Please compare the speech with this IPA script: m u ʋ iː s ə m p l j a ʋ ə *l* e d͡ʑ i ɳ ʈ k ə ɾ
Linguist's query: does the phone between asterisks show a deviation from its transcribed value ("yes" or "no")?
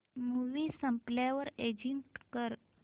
yes